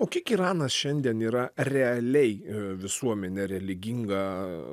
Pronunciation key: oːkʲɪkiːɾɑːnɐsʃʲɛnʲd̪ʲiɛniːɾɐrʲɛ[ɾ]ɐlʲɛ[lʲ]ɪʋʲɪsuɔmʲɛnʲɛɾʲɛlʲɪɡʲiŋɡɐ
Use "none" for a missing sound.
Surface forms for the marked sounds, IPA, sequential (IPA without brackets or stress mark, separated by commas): none, none